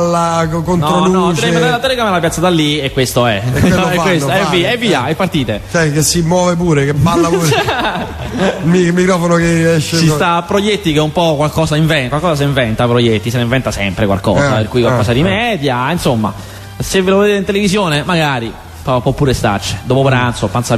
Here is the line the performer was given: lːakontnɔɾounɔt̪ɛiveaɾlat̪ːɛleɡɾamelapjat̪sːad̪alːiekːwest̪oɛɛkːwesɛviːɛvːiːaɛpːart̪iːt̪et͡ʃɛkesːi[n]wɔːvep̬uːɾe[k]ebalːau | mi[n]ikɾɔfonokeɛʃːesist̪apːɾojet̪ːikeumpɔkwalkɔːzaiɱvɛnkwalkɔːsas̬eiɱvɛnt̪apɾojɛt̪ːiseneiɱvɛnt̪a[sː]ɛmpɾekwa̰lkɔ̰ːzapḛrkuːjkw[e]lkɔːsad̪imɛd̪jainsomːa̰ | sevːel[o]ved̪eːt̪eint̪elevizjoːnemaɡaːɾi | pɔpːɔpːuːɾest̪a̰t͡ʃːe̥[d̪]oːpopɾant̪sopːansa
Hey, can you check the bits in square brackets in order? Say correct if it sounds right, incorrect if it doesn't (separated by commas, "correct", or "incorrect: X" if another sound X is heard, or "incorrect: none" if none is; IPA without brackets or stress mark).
incorrect: m, correct, incorrect: m, incorrect: s, incorrect: a, correct, correct